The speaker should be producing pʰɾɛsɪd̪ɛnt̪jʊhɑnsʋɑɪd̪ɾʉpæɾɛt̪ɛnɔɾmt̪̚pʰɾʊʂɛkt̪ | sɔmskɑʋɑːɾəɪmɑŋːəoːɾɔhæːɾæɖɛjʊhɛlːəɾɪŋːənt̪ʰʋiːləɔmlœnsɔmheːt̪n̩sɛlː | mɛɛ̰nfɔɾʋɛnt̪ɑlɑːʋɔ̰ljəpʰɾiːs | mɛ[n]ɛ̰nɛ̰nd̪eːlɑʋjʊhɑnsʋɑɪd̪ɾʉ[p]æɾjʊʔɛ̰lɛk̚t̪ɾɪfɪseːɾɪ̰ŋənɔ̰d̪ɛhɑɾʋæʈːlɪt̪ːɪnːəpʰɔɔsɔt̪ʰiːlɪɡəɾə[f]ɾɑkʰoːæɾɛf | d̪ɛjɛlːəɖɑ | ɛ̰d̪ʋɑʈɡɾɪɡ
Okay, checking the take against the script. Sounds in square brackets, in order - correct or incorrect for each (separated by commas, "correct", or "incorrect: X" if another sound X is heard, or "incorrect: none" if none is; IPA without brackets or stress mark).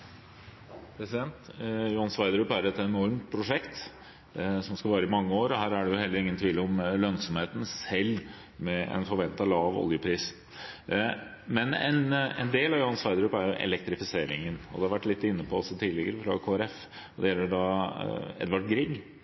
correct, correct, correct